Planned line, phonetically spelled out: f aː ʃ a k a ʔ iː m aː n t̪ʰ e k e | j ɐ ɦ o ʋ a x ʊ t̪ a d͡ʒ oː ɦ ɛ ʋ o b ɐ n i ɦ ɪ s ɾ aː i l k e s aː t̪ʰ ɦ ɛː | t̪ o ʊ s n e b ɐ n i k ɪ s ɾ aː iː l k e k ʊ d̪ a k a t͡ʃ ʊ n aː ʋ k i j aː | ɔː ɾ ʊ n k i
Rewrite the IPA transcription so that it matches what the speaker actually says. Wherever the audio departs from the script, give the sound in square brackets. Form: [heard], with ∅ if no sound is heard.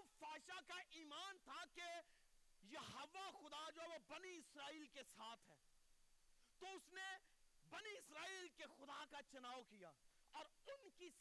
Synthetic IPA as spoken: f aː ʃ a k a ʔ iː m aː n t̪ʰ [a] k e | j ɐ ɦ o ʋ a x ʊ [d̪] a d͡ʒ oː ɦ ɛ ʋ o b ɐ n i [∅] ɪ s ɾ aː [iː] l k e s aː t̪ʰ ɦ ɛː | t̪ o ʊ s n e b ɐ n i [∅] ɪ s ɾ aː iː l k e [x] ʊ d̪ a k a t͡ʃ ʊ n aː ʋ k i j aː | ɔː ɾ ʊ n k i